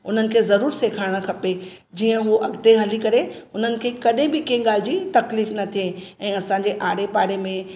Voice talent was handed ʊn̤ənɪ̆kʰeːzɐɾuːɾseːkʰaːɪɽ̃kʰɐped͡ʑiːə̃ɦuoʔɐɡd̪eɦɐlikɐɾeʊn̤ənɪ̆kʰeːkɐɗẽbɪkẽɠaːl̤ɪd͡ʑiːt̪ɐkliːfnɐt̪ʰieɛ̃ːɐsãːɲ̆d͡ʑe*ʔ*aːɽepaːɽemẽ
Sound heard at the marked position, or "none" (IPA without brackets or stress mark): ʔ